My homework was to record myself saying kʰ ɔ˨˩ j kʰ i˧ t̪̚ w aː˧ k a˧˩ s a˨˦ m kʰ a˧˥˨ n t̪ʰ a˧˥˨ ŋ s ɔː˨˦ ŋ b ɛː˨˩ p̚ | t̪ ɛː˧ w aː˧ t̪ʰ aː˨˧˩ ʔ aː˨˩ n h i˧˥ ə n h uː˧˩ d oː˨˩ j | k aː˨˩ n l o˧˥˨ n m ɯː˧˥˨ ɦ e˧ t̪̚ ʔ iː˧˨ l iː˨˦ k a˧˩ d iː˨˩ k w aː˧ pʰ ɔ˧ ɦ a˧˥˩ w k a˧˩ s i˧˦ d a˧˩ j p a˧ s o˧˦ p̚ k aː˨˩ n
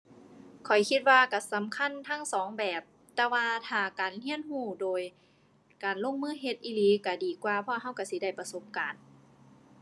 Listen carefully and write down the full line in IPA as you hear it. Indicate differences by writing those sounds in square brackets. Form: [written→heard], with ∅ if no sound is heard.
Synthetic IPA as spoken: kʰ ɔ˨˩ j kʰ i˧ t̪̚ w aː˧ k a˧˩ s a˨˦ m kʰ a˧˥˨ n t̪ʰ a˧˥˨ ŋ s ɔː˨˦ ŋ b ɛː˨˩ p̚ | t̪ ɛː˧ w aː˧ t̪ʰ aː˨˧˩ [ʔ→k] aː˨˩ n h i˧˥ ə n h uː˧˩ d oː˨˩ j | k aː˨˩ n l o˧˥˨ [n→ŋ] m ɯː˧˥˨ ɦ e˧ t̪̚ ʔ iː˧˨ l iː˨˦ k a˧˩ d iː˨˩ k w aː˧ pʰ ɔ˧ ɦ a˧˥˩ w k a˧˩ s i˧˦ d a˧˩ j p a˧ s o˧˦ p̚ k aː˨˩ n